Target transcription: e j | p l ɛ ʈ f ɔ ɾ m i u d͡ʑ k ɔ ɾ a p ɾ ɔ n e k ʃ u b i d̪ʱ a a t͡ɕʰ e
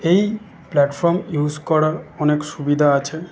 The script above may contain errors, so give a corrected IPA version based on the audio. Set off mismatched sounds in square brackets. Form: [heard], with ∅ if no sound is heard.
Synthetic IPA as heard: e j | p l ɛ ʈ f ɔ ɾ m [j] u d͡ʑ k ɔ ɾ a [∅] ɾ ɔ n e k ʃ u b i d̪ʱ a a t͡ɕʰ e

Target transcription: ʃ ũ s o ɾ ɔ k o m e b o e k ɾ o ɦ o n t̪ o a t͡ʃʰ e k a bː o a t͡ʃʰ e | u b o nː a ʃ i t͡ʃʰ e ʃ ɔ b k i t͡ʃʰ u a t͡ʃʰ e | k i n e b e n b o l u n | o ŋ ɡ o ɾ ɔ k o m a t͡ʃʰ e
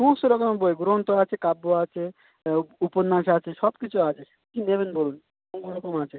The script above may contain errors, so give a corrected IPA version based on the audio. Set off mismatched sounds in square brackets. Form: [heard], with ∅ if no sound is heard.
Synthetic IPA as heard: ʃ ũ s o ɾ ɔ k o m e b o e [ɡ] ɾ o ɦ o n t̪ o a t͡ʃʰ e k a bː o a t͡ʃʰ e | u [p] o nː a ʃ [a] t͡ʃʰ e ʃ ɔ b k i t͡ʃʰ u a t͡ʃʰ e | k i n e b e n b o l u n | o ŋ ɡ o ɾ ɔ k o m a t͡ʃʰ e

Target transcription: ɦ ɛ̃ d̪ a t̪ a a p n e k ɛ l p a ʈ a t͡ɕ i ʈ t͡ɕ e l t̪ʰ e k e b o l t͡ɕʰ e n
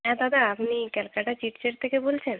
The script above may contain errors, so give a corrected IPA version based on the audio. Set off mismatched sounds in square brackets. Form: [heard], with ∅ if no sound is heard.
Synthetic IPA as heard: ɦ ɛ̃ d̪ a [d̪] a a p n [i] k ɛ l [k] a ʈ a t͡ɕ i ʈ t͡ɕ e [ɾ] t̪ʰ e k e b o l t͡ɕʰ e n

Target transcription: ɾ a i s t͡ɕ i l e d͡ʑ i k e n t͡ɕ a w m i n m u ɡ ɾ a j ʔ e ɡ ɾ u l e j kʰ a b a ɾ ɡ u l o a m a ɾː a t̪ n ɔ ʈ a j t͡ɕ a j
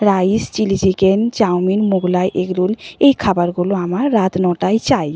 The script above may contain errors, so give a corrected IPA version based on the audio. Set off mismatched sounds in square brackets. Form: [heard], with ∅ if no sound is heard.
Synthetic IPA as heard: ɾ a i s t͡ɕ i l [i] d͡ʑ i k e n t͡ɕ a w m i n m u ɡ [l] a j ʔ e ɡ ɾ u l e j kʰ a b a ɾ ɡ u l o a m a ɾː a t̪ n ɔ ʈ a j t͡ɕ a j

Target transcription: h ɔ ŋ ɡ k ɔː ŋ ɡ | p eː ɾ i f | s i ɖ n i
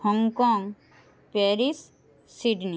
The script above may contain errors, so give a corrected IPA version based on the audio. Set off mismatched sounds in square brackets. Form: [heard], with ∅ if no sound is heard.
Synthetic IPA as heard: h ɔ ŋ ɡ k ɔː ŋ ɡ | p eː ɾ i [s] | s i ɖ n i

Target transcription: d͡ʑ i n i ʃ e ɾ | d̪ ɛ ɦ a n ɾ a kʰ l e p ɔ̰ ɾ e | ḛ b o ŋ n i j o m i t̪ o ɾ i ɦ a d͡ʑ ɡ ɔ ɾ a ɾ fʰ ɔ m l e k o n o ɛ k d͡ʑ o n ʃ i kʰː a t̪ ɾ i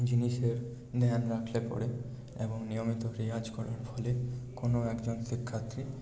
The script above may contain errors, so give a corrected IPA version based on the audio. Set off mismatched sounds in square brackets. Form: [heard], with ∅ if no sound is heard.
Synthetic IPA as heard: d͡ʑ i n i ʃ e ɾ | d̪ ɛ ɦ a n ɾ a kʰ l e p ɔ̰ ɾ e | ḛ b o ŋ n i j o m i t̪ o ɾ i ɦ a d͡ʑ [k] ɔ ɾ a ɾ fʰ ɔ [∅] l e k o n o ɛ k d͡ʑ o n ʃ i kʰː a t̪ ɾ i

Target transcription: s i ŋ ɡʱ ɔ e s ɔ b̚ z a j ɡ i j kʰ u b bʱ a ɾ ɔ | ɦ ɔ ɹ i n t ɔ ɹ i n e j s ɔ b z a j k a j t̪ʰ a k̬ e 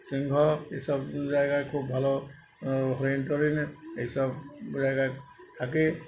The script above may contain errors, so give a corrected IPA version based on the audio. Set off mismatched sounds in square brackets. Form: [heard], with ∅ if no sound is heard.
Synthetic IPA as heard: s i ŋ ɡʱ ɔ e s ɔ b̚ z a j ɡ [a] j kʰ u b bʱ a [l] ɔ | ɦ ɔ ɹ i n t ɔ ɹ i n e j s ɔ b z a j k a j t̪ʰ a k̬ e

